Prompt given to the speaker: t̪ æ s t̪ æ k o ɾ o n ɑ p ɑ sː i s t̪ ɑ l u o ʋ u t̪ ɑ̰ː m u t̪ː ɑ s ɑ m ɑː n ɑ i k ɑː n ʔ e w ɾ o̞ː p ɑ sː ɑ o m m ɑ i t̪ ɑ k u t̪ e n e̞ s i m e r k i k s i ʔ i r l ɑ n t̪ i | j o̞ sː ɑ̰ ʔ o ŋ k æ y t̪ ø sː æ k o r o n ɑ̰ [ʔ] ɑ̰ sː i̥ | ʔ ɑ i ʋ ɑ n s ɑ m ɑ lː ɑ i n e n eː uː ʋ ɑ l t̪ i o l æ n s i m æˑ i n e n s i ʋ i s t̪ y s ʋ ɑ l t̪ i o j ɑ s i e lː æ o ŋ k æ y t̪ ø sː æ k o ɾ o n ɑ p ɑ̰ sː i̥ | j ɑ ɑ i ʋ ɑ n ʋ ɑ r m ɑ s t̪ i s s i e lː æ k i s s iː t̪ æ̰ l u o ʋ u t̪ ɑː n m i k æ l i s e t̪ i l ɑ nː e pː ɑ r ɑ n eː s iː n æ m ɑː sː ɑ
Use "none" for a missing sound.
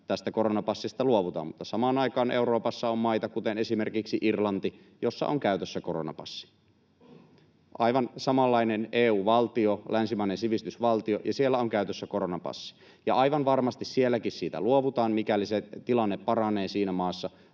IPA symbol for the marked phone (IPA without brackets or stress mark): p